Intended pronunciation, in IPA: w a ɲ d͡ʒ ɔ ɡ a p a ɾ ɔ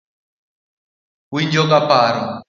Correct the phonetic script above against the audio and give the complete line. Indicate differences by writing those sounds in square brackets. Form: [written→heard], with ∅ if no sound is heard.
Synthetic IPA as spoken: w [a→i] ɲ d͡ʒ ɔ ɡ a p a ɾ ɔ

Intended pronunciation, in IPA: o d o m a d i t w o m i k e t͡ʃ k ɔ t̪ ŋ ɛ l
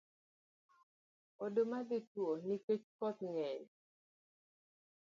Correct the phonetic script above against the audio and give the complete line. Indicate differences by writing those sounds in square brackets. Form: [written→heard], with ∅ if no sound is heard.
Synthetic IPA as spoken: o d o m a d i t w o [m→n] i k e t͡ʃ k ɔ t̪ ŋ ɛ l

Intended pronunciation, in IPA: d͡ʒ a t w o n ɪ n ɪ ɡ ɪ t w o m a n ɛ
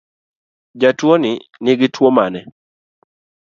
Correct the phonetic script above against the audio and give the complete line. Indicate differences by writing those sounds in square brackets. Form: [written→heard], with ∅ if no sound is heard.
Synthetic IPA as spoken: d͡ʒ a t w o n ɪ n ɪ ɡ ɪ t w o m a n ɛ

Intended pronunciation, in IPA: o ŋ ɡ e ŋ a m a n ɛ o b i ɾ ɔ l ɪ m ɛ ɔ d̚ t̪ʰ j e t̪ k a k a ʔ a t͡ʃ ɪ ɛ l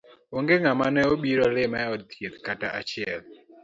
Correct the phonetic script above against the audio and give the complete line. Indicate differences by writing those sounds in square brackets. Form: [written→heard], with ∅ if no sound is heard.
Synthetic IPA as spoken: o ŋ ɡ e ŋ a m a n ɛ o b i ɾ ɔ l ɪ m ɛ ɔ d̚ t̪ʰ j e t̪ k a [k→t] a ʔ a t͡ʃ ɪ ɛ l

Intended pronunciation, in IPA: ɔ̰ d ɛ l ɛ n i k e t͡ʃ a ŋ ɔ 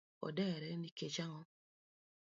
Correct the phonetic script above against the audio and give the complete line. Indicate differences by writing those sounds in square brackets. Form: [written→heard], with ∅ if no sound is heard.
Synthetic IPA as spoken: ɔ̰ d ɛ [l→ɾ] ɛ n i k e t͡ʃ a ŋ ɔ

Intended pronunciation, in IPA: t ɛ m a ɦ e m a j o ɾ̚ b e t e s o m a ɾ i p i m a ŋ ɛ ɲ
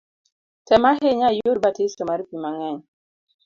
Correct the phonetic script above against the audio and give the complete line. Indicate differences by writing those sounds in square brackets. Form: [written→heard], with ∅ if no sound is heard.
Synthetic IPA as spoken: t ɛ m a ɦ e [m→ɲ] a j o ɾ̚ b [e→a] t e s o m a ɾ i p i m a ŋ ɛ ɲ

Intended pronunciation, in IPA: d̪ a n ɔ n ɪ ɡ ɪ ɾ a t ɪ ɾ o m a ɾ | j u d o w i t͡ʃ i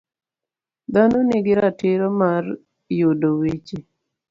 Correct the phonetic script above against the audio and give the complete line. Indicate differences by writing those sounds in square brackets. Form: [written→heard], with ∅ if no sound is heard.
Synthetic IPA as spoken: d̪ a n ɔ n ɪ ɡ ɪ ɾ a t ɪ ɾ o m a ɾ | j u d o w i t͡ʃ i

